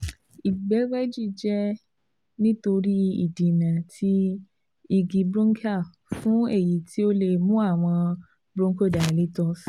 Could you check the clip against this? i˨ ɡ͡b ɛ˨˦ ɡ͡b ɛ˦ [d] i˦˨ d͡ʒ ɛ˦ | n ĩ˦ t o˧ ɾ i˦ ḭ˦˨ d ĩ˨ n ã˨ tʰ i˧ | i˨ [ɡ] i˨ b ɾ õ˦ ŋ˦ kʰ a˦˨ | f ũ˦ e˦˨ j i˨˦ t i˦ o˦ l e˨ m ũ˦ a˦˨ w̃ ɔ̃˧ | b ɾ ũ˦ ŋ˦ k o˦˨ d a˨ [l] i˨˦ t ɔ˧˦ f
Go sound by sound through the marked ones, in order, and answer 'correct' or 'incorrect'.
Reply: incorrect, correct, correct

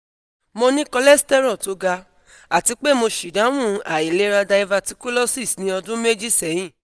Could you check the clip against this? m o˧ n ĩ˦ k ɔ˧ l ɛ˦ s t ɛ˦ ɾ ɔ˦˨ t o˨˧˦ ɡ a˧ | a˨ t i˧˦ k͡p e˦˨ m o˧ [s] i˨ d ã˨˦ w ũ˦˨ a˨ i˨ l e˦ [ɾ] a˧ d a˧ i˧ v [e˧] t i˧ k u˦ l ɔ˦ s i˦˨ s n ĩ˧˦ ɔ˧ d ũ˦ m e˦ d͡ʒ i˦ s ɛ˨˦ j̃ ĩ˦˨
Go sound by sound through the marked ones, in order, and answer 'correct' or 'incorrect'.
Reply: incorrect, correct, incorrect

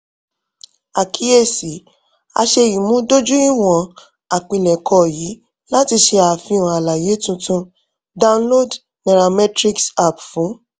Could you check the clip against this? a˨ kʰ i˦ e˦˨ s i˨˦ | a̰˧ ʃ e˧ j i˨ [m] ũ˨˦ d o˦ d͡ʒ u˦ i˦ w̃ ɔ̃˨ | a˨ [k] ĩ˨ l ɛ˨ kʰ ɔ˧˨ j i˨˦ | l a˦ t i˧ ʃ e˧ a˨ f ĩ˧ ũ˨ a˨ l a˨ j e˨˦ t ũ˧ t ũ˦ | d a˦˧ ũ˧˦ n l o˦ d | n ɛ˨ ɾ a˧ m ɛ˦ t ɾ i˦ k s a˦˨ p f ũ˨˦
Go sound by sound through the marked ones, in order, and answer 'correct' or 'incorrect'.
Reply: correct, incorrect

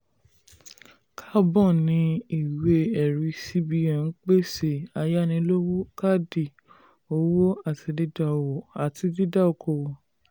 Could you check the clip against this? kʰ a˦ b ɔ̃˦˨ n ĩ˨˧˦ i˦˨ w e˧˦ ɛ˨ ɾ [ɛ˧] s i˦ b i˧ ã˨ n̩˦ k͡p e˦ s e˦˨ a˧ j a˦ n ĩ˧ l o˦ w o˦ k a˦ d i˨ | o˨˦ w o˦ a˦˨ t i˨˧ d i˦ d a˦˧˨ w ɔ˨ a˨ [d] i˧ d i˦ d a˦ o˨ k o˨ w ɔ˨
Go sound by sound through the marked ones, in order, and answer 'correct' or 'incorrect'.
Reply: incorrect, incorrect

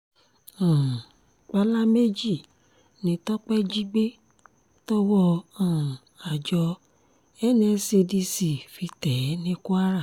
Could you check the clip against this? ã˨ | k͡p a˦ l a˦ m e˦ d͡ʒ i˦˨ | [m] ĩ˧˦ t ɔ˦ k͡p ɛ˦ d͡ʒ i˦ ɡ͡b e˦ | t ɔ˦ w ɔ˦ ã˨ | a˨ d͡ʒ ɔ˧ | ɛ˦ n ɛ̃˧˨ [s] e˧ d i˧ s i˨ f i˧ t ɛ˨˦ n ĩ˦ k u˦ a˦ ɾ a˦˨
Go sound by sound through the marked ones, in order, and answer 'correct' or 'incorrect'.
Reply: incorrect, correct

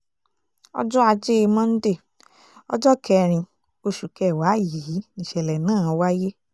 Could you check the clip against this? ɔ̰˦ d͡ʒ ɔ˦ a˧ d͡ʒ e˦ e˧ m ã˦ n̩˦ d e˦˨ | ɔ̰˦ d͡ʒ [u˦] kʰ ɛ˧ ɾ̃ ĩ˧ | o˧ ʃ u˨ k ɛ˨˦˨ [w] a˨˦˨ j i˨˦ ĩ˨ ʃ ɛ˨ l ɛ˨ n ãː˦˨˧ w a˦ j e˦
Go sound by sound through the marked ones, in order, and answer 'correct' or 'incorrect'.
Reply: incorrect, correct

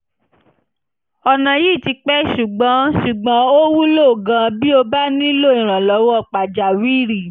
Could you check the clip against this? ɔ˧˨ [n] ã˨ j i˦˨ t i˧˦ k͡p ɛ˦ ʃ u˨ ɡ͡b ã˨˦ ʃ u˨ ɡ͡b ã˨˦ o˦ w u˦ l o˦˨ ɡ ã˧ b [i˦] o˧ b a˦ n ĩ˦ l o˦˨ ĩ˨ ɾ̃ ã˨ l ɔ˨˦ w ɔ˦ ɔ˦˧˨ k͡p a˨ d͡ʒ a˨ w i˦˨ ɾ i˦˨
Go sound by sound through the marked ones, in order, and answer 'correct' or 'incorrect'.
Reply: correct, correct

